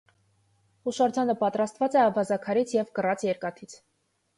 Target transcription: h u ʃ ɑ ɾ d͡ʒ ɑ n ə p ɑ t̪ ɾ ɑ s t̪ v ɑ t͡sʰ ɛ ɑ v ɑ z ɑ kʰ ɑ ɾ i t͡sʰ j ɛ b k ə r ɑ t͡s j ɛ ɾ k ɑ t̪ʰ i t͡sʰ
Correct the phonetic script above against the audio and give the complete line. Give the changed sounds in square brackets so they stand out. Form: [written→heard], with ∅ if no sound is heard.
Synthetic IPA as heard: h u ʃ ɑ ɾ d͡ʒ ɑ n ə p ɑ t̪ ɾ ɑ s t̪ v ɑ [t͡sʰ→t͡s] ɛ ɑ v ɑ z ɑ kʰ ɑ ɾ i t͡sʰ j ɛ [b→v] k ə r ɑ t͡s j ɛ ɾ k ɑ t̪ʰ i t͡sʰ